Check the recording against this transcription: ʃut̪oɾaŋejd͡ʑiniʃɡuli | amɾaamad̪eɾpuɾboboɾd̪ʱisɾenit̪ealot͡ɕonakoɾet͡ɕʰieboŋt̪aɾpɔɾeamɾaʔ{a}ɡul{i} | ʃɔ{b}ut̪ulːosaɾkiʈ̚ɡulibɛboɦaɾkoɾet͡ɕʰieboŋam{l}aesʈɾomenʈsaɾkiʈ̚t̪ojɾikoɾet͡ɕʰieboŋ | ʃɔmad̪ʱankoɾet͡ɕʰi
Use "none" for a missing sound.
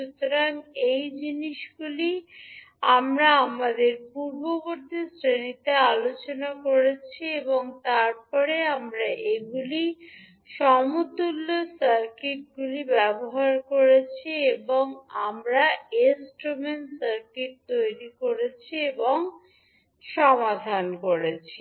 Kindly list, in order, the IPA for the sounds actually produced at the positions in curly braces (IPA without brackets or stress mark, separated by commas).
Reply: e, i, m, ɾ